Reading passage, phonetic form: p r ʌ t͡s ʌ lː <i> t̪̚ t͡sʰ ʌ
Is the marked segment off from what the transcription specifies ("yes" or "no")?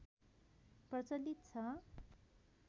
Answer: no